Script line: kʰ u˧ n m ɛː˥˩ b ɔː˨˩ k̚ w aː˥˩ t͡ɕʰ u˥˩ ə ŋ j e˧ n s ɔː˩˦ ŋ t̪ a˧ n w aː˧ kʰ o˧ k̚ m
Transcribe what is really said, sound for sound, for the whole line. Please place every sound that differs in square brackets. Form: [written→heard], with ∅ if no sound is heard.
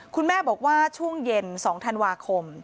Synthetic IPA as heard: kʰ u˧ n m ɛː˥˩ b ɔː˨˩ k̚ w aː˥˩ t͡ɕʰ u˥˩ ə ŋ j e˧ n s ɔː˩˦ ŋ [t̪→t̪ʰ] a˧ n w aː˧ kʰ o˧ [k̚→∅] m